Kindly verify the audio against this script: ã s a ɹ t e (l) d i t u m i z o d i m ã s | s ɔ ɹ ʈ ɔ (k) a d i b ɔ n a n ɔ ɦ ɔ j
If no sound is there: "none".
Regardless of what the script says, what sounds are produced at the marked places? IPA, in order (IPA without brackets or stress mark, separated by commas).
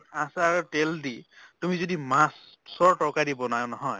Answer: l, k